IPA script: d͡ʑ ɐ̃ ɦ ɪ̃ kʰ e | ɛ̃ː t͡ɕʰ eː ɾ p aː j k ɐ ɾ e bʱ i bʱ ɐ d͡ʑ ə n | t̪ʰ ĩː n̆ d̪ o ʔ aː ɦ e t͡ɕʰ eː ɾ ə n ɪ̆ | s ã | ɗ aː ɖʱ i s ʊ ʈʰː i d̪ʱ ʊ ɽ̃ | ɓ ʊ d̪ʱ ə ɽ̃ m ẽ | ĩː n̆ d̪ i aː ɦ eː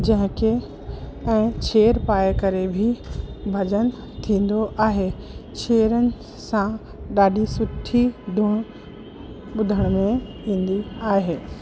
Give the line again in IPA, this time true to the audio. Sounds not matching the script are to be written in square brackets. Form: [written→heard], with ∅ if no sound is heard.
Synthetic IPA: d͡ʑ ɐ̃ ɦ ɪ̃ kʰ e | ɛ̃ː t͡ɕʰ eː ɾ p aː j k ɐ ɾ e bʱ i bʱ ɐ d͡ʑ ə n | t̪ʰ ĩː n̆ d̪ o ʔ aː ɦ e t͡ɕʰ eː ɾ ə n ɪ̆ | s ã | ɗ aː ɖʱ i s ʊ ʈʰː i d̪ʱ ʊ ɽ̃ | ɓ ʊ d̪ʱ ə ɽ̃ m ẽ | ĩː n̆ d̪ i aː ɦ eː